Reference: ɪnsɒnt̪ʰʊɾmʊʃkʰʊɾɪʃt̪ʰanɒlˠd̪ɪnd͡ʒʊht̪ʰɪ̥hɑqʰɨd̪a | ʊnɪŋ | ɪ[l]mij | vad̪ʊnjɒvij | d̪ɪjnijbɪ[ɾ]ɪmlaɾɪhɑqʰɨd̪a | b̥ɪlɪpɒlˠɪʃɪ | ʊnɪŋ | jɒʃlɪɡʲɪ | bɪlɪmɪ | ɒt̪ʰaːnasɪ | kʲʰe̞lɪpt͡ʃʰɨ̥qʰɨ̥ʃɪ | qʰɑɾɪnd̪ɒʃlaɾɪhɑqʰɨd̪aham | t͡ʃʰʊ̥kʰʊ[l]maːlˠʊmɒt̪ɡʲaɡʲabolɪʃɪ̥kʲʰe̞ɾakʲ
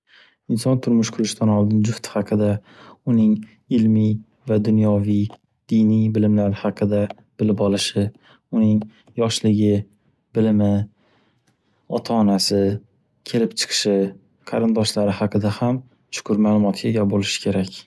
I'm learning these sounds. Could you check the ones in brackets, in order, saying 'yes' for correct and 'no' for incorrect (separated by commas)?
yes, no, no